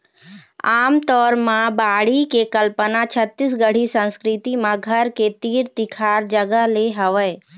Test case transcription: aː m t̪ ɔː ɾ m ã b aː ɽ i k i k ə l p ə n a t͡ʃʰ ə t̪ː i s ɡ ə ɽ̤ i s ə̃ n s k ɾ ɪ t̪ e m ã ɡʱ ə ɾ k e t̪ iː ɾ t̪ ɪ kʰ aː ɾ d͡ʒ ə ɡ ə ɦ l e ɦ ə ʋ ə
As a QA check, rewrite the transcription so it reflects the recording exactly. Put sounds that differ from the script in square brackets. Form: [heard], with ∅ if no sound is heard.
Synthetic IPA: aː m t̪ ɔː ɾ m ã b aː ɽ i k [e] k ə l p ə n a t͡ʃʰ ə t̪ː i s ɡ ə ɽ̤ i s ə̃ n s k ɾ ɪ t̪ [i] m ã ɡʱ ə ɾ k e t̪ iː ɾ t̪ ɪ kʰ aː ɾ d͡ʒ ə ɡ ə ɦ l e ɦ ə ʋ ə